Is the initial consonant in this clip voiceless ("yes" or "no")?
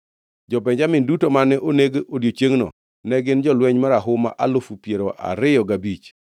no